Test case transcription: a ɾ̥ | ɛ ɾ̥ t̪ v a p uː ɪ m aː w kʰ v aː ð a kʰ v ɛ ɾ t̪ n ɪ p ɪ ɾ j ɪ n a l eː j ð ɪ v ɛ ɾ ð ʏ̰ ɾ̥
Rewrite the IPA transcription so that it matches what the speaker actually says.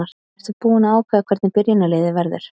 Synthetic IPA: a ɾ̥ | ɛ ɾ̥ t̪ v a p uː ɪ n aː w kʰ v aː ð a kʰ v ɛ ɾ t̪ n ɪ p ɪ ɾ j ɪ n a l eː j ð ɪ v ɛ ɾ ð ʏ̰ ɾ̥